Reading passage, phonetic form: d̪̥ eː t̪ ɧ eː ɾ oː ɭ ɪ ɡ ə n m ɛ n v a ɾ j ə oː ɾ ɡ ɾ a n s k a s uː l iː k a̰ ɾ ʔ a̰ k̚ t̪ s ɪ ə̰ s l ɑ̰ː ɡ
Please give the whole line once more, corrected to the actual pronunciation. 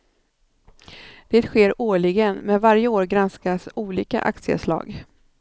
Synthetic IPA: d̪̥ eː t̪ ɧ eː ɾ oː ɭ ɪ ɡ ə n m ɛ n v a ɾ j ə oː ɾ ɡ ɾ a n s k a s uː l iː k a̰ ʔ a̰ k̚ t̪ s ɪ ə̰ s l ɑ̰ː ɡ

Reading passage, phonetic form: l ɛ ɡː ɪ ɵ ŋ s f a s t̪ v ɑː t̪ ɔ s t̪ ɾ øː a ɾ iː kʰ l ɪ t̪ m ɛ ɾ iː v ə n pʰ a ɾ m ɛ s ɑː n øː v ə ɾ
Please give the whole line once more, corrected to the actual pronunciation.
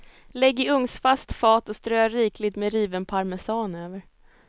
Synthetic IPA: l ɛ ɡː ɪ ɵ ŋ s f a s t̪ f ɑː t̪ ɔ s t̪ ɾ øː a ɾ iː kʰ l ɪ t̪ m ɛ ɾ iː v ə n pʰ a ɾ m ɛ s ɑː n øː v ə ɾ

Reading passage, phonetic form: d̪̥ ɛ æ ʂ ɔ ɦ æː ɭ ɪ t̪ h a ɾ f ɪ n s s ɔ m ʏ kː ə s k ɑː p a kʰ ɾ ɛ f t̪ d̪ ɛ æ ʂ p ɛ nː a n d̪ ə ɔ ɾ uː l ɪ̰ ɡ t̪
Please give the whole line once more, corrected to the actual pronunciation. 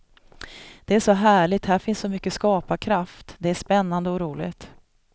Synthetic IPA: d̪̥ ɛ æ ʂ ɔ ɦ æː ɭ ɪ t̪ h æ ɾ f ɪ n s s ɔ m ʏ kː ə s k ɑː p a kʰ ɾ a f t̪ d̪ ɛ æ ʂ p ɛ nː a n d̪ ə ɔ ɾ uː l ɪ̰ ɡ t̪

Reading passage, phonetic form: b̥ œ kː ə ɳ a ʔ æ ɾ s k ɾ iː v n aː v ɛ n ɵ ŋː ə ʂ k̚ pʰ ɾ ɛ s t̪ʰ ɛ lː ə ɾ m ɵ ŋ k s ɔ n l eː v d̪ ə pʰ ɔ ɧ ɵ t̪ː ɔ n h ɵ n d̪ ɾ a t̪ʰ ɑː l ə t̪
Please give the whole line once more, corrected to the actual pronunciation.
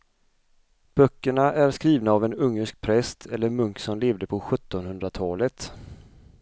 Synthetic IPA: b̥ œ kː ə ɳ a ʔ æ ɾ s k ɾ iː v n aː v ɛ n ɵ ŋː ə ʂ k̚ pʰ ɾ ɛ s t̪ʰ ɛ lː ə ɾ m ɵ ŋ k s ɔ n l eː v d̪ ə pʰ ɔ ɧ ɵ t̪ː ɔ n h ɵ n d̪ ɾ a t̪ʰ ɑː l ə t̪

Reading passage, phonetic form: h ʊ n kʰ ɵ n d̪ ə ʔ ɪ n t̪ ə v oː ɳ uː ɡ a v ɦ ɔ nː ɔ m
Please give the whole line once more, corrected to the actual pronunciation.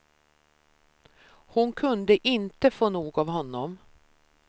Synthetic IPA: h ʊ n kʰ ɵ n d̪ ə ʔ ɪ n t̪ ə f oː n uː ɡ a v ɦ ɔ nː ɔ m

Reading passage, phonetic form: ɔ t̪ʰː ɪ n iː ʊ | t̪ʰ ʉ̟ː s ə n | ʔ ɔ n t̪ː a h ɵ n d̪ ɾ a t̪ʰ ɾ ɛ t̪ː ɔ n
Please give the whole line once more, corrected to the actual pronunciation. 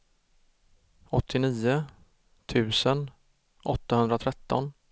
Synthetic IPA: ɔ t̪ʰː ɪ n iː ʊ | t̪ʰ ʉ̟ː s ə n | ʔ ɔ t̪ː a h ɵ n d̪ ɾ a t̪ʰ ɾ ɛ t̪ː ɔ n

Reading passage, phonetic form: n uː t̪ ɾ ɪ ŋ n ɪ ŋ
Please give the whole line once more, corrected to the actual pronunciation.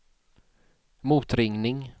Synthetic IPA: m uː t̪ ɾ ɪ ŋ n ɪ ŋ

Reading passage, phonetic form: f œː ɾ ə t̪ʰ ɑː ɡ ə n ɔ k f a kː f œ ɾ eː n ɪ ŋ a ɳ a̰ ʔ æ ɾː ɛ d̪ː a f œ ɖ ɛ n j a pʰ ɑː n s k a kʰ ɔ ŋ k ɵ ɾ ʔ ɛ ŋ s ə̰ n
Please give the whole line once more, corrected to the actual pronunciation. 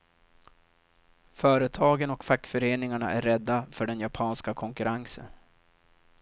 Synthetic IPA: f œː ɾ ə t̪ʰ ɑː ɡ ə n ɔ k f a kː f œ ɾ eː n ɪ ŋ a ɳ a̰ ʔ æ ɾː ɛ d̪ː a f œ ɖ ɛ n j a pʰ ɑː n s k a kʰ ɔ ŋ k ɵ ɾ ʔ a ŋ s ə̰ n

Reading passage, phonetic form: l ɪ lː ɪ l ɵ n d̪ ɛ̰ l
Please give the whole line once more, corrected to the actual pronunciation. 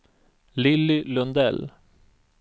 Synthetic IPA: l ɪ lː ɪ l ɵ n d̪ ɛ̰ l

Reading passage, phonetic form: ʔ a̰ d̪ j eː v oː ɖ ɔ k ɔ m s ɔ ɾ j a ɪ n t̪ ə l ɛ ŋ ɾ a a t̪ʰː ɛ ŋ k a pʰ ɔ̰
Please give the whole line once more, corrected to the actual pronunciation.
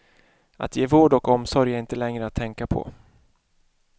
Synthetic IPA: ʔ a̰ t̪ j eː v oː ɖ ɔ k ɔ m s ɔ ɾ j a ɪ n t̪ ə l ɛ ŋ ɾ ə a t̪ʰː ɛ ŋ k a pʰ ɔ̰

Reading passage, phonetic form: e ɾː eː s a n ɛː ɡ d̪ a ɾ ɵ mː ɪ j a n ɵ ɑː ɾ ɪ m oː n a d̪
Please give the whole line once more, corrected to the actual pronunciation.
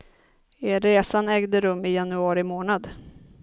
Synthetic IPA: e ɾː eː s a n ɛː ɡ d̪ ə ɾ ɵ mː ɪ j a n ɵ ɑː ɾ ɪ m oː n a d̪

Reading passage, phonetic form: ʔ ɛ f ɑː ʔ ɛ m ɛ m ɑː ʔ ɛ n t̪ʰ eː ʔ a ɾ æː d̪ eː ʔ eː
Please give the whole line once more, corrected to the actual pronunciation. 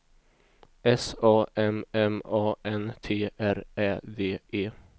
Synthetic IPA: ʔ ɛ s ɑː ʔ ɛ m ɛ m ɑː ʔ ɛ n t̪ʰ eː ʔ æ ɾ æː d̪ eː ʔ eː

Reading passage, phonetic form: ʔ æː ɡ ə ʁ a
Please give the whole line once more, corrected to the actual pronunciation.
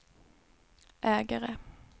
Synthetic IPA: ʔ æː ɡ ə ʁ ə

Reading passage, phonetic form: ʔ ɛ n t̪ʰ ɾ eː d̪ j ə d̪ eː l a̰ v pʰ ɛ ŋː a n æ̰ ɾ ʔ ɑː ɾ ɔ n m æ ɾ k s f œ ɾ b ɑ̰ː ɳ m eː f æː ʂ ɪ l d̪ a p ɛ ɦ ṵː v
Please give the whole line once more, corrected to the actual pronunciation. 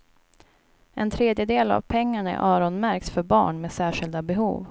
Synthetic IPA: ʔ ɛ n t̪ʰ ɾ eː d̪ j ə d̪ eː l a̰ v pʰ ɛ ŋː a ɳ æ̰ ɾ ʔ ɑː ɾ ɔ n m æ ɾ k s f œ ɾ b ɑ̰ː ɳ m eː s æː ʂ ɪ l d̪ a b ɛ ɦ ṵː v

